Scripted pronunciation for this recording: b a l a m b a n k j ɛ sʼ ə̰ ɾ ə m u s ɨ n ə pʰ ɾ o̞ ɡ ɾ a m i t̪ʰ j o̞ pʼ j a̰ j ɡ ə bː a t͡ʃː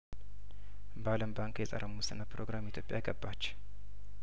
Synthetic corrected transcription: b a l ə m b a ŋ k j ɛ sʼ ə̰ ɾ ə m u s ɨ n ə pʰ ɾ o̞ ɡ ɾ a m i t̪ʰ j o̞ pʼ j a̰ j ɡ ə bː a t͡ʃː